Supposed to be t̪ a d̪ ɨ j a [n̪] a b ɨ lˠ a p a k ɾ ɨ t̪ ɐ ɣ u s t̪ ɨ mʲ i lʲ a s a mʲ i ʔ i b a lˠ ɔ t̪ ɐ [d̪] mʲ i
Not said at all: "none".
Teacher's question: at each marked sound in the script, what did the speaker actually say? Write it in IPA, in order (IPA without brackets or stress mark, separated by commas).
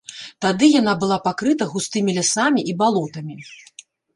n̪, none